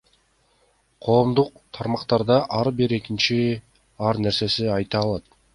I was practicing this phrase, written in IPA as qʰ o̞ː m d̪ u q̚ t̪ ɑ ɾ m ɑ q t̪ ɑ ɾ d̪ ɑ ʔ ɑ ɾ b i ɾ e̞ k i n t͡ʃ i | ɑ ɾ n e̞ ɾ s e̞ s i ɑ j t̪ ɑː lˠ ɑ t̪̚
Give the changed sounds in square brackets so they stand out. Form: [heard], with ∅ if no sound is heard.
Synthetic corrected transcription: qʰ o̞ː m d̪ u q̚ [t̪ʰ] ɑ ɾ m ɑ q t̪ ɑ ɾ d̪ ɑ ʔ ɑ ɾ b i ɾ e̞ k i n t͡ʃ i | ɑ ɾ n e̞ ɾ s e̞ s i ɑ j t̪ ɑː lˠ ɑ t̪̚

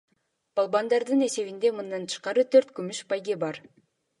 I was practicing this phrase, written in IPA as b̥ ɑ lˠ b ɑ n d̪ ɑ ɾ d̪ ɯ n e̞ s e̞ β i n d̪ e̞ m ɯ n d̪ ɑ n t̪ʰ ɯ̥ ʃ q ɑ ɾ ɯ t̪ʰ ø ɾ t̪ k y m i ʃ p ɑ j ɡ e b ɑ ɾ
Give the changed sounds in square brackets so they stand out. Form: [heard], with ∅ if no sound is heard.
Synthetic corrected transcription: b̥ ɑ lˠ b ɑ n d̪ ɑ ɾ d̪ ɯ n e̞ s e̞ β i n d̪ e̞ m ɯ n d̪ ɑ n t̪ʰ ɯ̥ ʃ q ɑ ɾ ɯ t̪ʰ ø ɾ t̪ k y m [y] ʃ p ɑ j ɡ e b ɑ ɾ

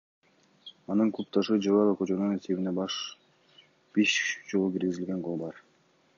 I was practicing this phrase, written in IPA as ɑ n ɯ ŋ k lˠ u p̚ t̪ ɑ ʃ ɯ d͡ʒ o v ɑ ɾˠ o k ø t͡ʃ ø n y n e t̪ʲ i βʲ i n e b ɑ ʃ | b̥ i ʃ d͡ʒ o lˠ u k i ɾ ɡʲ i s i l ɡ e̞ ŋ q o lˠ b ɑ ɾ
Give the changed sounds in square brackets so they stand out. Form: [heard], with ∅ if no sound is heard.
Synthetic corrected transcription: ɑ n ɯ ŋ k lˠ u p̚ t̪ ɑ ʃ ɯ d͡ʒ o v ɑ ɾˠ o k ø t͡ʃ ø n y n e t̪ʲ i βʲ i n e b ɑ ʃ | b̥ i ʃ d͡ʒ o lˠ u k i ɾ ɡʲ i [z] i l ɡ e̞ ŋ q o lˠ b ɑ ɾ

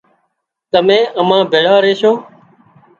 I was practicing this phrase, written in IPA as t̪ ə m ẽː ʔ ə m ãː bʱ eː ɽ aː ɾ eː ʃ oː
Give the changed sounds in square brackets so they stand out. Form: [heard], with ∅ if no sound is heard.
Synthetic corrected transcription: t̪ ə m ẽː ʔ ə m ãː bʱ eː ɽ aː ɾ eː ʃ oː

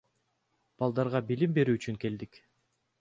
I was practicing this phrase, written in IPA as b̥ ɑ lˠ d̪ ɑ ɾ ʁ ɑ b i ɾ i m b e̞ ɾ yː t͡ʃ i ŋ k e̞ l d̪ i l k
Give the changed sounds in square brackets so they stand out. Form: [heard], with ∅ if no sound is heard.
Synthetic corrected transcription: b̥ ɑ lˠ d̪ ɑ ɾ ʁ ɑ b i [l] i m b e̞ ɾ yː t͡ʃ [y] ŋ k e̞ l d̪ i [∅] k

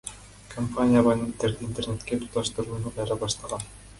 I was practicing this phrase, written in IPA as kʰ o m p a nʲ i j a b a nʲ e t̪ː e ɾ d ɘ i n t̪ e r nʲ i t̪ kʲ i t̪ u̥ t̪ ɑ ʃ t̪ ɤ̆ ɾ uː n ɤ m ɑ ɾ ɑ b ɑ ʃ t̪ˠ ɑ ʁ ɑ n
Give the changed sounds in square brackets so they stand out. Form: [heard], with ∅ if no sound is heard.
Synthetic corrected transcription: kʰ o m p a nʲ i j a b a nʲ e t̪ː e ɾ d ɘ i n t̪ e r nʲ [e] t̪ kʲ [e] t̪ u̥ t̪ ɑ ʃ t̪ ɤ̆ ɾ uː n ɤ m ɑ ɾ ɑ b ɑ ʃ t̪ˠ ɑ ʁ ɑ n

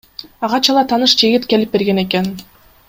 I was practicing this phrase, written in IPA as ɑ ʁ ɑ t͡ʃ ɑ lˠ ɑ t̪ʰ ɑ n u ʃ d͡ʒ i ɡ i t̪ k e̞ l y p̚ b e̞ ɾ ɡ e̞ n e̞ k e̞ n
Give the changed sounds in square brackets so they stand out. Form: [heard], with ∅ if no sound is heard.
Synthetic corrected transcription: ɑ ʁ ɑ t͡ʃ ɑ lˠ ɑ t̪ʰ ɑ n [ɯ] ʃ d͡ʒ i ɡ i t̪ k e̞ l [i] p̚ b e̞ ɾ ɡ e̞ n e̞ k e̞ n

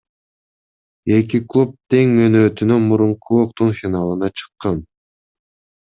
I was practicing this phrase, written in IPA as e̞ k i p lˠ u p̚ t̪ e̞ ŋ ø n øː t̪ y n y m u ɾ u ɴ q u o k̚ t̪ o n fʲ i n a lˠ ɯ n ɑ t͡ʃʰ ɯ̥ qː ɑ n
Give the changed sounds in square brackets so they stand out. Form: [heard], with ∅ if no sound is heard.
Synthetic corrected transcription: e̞ k i [k] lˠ u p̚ t̪ e̞ ŋ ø n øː t̪ y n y m u ɾ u ɴ q u o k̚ t̪ [u] n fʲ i n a lˠ ɯ n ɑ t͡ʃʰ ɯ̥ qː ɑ n

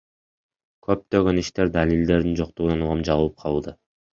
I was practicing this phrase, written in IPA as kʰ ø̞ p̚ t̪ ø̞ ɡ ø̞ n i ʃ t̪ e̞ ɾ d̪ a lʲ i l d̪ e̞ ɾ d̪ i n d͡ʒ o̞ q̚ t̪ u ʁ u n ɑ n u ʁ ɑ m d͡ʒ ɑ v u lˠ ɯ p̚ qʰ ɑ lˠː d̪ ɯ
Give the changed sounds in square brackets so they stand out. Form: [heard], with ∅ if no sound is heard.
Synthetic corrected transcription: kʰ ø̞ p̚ t̪ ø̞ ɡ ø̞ n i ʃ t̪ e̞ ɾ d̪ a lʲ i l d̪ e̞ ɾ d̪ i n d͡ʒ o̞ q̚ t̪ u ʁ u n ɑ n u ʁ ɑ m d͡ʒ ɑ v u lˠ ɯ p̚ qʰ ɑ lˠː d̪ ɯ

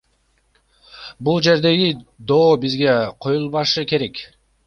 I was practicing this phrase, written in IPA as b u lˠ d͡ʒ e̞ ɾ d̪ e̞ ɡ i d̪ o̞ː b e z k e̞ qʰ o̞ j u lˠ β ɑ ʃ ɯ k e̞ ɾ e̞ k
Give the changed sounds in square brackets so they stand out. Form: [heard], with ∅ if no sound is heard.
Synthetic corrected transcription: b u lˠ d͡ʒ e̞ ɾ d̪ e̞ ɡ i d̪ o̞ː b [i] z [ɡ] e̞ qʰ o̞ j u lˠ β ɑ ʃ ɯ k e̞ ɾ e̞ k

